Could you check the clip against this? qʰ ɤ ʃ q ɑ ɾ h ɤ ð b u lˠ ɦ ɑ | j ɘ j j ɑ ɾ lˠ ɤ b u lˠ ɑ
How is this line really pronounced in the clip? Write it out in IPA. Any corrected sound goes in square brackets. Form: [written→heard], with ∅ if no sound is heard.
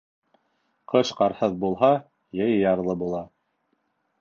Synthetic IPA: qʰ ɤ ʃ q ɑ ɾ h ɤ ð b u lˠ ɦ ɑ | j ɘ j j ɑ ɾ lˠ ɤ b u lˠ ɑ